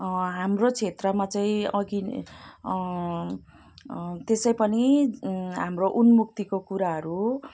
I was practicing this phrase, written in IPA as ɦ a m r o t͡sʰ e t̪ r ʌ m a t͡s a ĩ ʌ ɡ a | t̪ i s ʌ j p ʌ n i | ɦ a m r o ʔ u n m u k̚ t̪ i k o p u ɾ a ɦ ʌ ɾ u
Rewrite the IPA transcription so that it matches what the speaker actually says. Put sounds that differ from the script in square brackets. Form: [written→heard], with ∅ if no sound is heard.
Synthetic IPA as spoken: ɦ a m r o t͡sʰ e t̪ r ʌ m a t͡s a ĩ ʌ ɡ [a→i] | t̪ [i→e] s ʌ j p ʌ n i | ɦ a m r o ʔ u n m u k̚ t̪ i k o [p→k] u ɾ a ɦ ʌ ɾ u